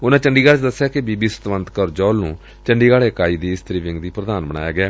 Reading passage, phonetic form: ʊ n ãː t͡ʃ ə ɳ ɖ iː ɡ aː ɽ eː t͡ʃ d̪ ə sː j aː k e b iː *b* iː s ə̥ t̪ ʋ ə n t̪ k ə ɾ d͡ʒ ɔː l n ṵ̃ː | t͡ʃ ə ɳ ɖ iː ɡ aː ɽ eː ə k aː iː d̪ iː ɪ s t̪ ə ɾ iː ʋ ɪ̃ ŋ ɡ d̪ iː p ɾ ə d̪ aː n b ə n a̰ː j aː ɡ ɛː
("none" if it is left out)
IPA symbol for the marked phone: b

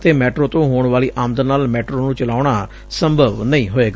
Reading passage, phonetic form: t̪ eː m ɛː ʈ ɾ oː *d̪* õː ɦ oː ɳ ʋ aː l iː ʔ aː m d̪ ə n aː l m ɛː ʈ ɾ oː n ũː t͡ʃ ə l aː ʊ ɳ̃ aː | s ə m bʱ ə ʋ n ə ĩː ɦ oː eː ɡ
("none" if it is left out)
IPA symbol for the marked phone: t̪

